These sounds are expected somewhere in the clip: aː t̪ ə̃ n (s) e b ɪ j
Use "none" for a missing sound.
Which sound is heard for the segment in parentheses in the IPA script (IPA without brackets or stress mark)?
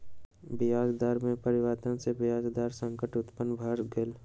s